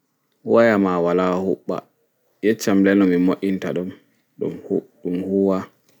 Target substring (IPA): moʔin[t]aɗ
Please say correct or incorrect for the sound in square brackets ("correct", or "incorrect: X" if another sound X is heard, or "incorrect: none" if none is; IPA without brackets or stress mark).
correct